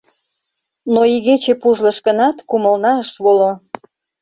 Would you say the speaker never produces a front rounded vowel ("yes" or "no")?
yes